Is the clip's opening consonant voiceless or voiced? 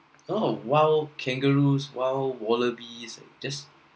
voiced